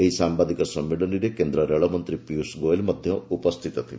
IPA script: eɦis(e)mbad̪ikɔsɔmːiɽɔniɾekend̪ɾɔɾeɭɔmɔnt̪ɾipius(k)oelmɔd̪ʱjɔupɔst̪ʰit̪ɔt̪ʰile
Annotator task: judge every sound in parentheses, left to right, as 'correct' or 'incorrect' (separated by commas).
incorrect, incorrect